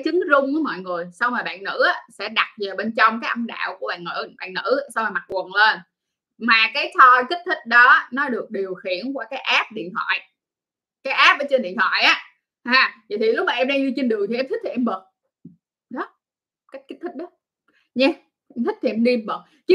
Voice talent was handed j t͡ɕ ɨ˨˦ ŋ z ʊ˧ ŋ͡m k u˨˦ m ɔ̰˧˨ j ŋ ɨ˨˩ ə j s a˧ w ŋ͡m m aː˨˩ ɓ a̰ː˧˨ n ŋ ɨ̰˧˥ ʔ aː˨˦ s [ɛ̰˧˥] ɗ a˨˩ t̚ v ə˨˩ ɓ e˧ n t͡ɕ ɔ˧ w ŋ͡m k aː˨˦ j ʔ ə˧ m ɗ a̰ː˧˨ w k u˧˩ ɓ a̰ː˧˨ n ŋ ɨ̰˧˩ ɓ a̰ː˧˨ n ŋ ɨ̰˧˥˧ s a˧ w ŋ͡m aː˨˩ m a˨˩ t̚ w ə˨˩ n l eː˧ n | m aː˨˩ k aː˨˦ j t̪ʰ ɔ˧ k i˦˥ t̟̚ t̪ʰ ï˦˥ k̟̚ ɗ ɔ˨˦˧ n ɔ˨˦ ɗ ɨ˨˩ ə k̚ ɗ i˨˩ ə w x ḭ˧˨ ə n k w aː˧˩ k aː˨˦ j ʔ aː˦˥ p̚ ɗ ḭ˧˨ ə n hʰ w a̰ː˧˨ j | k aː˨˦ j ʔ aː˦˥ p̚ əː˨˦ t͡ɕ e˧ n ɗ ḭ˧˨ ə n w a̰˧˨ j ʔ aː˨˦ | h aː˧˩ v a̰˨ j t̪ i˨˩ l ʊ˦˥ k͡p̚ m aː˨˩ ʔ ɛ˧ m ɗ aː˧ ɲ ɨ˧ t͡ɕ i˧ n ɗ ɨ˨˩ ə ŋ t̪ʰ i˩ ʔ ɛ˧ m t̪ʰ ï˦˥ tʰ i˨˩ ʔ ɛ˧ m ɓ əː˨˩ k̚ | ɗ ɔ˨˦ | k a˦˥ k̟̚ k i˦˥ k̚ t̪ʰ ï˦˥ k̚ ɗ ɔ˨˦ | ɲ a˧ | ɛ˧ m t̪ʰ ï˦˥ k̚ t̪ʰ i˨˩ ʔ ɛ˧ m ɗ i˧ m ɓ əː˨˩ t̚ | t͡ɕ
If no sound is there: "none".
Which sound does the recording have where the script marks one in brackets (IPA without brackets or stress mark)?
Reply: ɛ̰˧˥